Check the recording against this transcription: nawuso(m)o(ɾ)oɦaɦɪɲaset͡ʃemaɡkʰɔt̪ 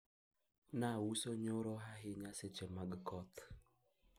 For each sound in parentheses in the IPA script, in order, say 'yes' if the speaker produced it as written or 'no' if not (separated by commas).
no, yes